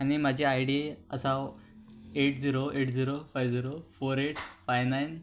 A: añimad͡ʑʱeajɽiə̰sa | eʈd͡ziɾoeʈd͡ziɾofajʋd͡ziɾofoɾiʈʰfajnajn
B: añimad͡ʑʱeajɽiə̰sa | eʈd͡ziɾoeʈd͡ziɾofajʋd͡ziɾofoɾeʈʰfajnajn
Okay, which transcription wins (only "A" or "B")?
B